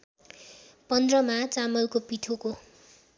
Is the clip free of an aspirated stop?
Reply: no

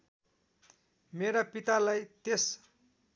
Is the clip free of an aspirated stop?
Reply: yes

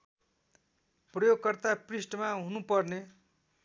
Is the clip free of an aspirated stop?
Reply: yes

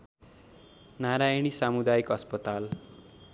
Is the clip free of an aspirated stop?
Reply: yes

